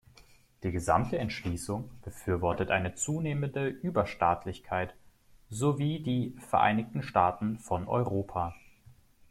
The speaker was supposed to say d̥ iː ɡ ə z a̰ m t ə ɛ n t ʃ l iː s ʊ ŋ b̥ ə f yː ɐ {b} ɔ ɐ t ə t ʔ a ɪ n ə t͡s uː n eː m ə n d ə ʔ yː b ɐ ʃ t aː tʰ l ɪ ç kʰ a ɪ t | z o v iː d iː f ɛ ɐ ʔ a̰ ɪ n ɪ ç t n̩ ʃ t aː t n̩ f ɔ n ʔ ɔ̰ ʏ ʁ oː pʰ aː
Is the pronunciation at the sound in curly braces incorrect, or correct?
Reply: incorrect